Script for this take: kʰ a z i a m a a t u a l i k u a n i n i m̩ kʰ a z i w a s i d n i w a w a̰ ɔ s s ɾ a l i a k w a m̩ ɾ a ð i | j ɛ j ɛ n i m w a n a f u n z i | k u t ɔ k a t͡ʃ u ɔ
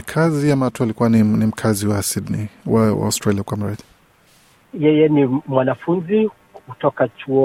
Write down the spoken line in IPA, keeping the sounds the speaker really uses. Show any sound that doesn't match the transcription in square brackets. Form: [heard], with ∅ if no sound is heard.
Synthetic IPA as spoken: kʰ a z i a m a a t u a l i k u a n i n i m̩ kʰ a z i w a s i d n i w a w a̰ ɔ s [t] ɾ a l i a k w a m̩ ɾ a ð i | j ɛ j ɛ n i m w a n a f u n z i | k u t ɔ k a t͡ʃ u ɔ